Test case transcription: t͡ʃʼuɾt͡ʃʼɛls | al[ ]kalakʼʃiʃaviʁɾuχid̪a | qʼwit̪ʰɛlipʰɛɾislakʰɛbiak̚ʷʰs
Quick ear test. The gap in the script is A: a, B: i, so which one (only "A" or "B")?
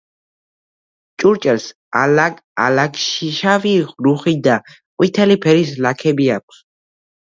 A